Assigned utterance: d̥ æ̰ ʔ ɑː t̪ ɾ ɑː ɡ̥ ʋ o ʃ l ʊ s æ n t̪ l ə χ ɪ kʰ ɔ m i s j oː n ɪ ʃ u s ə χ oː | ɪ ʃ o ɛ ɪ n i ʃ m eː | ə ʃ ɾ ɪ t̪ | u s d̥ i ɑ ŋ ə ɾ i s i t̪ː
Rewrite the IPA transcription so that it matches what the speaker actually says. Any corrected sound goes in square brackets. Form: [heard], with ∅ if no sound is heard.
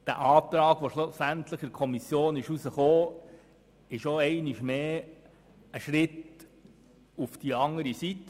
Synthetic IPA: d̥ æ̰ ʔ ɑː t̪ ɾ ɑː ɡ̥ ʋ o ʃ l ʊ s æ n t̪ l ə χ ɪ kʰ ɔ m i s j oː n ɪ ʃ u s ə χ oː | ɪ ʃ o ɛ ɪ n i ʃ m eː | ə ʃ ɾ ɪ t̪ | u [f] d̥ i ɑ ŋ ə ɾ i s i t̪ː